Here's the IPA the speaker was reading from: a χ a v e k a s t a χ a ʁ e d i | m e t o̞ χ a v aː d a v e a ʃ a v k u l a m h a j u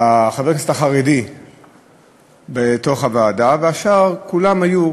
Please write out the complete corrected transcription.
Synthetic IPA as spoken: a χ a v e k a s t a χ a ʁ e d i | b e t o̞ χ a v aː d a v e a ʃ a ʁ k u l a m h a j u

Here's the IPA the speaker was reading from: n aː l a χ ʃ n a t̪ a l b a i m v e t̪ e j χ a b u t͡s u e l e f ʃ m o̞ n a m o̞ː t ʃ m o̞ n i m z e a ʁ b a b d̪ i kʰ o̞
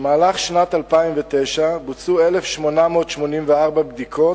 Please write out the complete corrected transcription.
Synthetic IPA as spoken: m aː l a χ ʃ n a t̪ a l p a i m v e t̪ e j ʃ a b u t͡s u e l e f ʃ m o̞ n a m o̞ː t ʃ m o̞ n i m v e a ʁ b a b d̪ i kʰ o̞

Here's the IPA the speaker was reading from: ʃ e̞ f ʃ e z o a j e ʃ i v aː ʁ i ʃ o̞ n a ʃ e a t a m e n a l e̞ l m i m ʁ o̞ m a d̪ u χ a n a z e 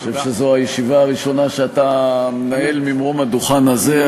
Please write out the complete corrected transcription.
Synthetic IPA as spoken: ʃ e̞ v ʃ e z o a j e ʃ i v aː ʁ i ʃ o̞ n a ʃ e a t a m e n a e̞ l m i m ʁ o̞ m a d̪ u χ a n a z e

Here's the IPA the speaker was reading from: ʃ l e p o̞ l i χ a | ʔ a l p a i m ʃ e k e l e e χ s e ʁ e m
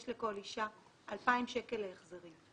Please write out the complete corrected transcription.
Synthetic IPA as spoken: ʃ l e k o̞ l i ʃ a | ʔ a l p a i m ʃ e k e l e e χ z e ʁ i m

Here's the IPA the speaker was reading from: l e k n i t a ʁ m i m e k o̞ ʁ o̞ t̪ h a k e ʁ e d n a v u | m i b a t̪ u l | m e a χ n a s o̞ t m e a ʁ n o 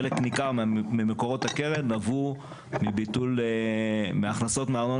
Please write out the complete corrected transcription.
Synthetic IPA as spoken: l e k n i k a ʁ m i m e k o̞ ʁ o̞ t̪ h a k e ʁ e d n a v u | m i b i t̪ u l | m e a χ n a s o̞ t m e a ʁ n o

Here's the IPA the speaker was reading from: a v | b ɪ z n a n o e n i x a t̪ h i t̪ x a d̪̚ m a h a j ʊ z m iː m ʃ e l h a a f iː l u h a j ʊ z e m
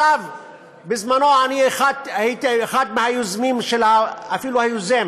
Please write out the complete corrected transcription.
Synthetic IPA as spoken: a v | b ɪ z m a n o a n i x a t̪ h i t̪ x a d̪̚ m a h a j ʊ z m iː m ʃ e l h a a f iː l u h a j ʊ z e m

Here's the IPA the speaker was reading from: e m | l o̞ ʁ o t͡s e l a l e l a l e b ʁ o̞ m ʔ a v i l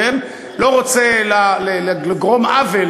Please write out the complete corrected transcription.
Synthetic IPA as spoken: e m | l o̞ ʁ o t͡s e l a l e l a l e ɡ ʁ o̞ m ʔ a v e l

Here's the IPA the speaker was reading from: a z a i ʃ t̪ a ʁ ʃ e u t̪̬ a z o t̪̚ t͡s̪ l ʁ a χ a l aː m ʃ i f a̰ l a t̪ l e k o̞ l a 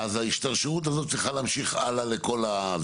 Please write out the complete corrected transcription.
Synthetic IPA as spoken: a z a i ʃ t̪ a ʁ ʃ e u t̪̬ a z o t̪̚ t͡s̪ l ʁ i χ a l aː m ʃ i χ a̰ l a l e k o̞ l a

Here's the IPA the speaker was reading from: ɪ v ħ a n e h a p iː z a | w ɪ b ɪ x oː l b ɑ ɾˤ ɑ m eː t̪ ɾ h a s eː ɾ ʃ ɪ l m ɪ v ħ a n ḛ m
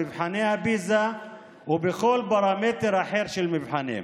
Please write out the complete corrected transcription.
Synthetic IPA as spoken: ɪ v ħ a n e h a b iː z a | w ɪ b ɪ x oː l b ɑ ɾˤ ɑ m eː t̪ ɾ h a ħ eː ɾ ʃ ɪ l m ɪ v ħ a n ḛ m

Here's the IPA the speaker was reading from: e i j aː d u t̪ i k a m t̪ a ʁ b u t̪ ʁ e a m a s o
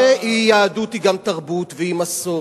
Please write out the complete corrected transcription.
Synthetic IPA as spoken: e i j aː d u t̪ i ɡ a m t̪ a ʁ b u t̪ v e i m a s o

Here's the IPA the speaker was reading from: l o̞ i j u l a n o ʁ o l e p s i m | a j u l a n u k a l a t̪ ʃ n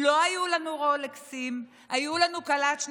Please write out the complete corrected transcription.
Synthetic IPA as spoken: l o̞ a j u l a n u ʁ o l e k s i m | a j u l a n u k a l a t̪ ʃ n

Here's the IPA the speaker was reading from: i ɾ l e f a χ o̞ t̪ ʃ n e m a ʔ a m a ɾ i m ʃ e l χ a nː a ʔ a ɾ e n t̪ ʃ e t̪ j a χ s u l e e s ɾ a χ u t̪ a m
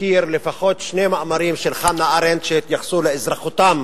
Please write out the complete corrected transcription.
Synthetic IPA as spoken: i ɾ l e f a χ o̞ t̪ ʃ n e m a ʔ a m a ɾ i m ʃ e l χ a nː a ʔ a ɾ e n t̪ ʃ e t̪ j a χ s u l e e z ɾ a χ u t̪ a m

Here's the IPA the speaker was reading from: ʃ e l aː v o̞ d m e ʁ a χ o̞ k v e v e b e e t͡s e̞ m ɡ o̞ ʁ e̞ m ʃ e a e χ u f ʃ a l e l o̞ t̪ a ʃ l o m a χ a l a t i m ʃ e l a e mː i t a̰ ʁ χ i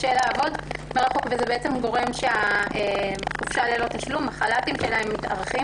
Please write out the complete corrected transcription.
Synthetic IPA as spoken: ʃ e l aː v o̞ d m e ʁ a χ o̞ k v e z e b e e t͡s e̞ m ɡ o̞ ʁ e̞ m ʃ e a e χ u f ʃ a l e l o̞ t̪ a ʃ l u m a χ a l a t i m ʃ e l a e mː i t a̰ ʁ χ i

